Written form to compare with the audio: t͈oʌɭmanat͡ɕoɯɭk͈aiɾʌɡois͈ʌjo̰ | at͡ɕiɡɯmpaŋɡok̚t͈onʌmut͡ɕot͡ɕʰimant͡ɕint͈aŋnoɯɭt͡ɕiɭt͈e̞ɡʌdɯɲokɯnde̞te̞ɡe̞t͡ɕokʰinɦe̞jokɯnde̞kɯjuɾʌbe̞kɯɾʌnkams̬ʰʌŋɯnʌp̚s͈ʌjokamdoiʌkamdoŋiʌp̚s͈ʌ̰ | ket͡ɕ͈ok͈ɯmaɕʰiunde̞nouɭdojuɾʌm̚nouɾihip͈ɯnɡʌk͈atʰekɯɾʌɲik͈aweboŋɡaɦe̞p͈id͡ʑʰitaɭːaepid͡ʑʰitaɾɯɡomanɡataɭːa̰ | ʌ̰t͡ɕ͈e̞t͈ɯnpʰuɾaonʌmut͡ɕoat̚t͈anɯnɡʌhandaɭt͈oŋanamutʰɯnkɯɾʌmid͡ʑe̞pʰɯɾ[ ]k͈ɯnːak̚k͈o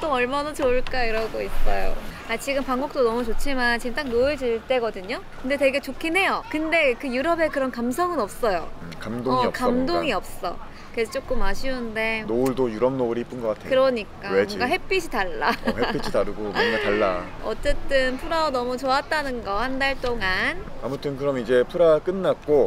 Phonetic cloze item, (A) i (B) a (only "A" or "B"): B